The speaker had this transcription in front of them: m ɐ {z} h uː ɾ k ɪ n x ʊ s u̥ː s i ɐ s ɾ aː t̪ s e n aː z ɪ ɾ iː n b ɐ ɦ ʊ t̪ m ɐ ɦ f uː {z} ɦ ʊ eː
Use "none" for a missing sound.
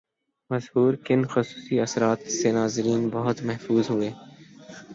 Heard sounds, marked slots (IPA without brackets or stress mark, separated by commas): z, z